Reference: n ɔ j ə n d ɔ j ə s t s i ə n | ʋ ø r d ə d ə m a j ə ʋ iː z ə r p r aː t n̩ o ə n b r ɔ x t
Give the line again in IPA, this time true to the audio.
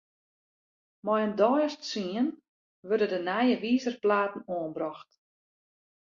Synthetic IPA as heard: m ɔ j ə n d ɔ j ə s t s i ə n | ʋ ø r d ə d ə n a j ə ʋ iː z ə r p l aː t n̩ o ə n b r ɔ x t